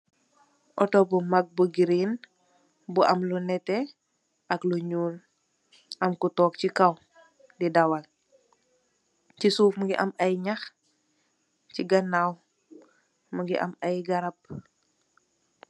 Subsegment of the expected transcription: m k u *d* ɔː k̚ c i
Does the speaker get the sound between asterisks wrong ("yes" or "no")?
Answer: yes